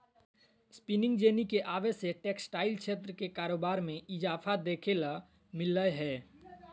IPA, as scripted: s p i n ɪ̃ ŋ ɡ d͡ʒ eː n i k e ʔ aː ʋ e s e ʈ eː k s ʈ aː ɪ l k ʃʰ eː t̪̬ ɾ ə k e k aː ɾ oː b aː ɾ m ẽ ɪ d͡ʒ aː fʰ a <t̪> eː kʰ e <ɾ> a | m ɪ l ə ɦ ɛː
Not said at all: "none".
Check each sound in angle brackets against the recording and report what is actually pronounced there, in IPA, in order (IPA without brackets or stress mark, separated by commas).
d̪, l